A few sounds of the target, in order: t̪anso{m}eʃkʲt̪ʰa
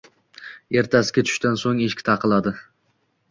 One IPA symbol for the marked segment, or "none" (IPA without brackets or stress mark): ŋ